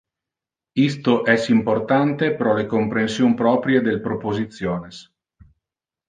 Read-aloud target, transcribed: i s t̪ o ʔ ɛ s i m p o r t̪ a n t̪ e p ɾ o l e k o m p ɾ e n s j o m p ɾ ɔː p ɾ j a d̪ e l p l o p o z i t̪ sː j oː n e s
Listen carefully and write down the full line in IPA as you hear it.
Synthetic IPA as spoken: i s t̪ o ʔ ɛ s i m p o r t̪ a n t̪ e p ɾ ɔ l e k o m p ɾ e n s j o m p ɾ ɔː p ɾ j e d̪ e l p ɾ o p o z i t̪ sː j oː n e s